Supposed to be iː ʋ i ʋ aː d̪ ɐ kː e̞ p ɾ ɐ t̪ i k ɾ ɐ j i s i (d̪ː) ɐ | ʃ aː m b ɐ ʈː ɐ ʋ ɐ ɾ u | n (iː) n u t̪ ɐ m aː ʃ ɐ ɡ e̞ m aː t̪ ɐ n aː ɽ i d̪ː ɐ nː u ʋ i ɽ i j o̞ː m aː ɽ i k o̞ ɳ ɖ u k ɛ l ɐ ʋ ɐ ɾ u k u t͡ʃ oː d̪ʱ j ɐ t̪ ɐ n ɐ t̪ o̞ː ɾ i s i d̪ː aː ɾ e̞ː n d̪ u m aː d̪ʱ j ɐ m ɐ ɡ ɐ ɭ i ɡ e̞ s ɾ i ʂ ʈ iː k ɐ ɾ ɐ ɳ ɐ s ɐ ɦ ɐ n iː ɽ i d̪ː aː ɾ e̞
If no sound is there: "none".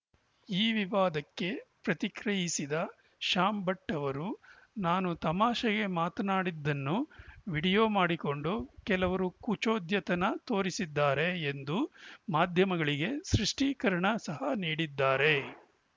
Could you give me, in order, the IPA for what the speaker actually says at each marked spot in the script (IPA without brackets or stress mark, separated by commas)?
d̪, aː